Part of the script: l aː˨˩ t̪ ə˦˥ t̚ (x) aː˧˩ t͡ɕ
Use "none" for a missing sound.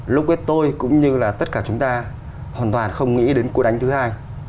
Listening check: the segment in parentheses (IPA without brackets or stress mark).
k